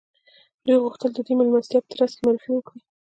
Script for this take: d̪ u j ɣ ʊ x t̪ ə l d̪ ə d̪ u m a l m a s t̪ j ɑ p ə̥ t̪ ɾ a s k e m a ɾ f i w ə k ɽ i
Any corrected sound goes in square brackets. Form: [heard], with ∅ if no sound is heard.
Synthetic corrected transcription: d̪ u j ɣ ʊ x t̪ ə l d̪ ə d̪ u m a l m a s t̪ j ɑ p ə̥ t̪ ɾ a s k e m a ɾ f i w ə k ɽ i